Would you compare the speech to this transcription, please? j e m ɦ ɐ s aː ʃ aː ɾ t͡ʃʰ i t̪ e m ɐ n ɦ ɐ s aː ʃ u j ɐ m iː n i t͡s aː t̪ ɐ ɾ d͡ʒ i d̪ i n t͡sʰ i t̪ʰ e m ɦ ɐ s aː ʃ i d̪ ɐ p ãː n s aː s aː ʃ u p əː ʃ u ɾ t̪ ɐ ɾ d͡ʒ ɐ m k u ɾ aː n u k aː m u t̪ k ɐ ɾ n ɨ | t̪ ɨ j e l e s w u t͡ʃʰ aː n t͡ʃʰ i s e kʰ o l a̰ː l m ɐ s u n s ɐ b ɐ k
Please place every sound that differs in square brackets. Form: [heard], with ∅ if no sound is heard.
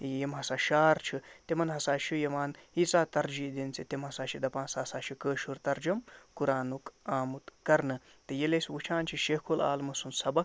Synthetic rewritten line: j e m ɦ ɐ s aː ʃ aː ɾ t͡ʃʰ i t̪ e m ɐ n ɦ ɐ s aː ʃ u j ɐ m [aː] n i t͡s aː t̪ ɐ ɾ d͡ʒ i d̪ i n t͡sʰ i [t̪] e m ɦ ɐ s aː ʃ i d̪ ɐ p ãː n s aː s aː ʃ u [k] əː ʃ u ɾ t̪ ɐ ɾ d͡ʒ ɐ m k u ɾ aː n u k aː m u t̪ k ɐ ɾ n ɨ | t̪ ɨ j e l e s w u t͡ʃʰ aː n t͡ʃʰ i [ʃ] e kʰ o l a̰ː l m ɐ s u n s ɐ b ɐ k